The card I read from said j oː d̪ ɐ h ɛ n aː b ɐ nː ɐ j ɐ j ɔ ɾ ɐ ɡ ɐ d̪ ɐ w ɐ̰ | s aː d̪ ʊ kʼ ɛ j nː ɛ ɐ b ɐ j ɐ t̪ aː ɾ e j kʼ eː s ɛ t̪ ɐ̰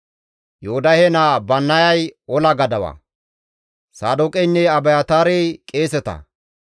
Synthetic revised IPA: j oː d̪ ɐ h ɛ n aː b ɐ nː ɐ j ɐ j ɔ l ɐ ɡ ɐ d̪ ɐ w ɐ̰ | s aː d̪ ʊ kʼ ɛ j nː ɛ ɐ b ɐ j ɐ t̪ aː ɾ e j kʼ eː s ɛ t̪ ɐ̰